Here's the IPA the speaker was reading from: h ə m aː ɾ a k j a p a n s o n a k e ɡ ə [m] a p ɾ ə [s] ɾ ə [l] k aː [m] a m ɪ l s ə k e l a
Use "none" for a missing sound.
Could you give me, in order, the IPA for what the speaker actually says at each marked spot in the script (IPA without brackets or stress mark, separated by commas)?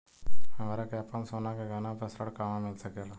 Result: n, s, ɽ, m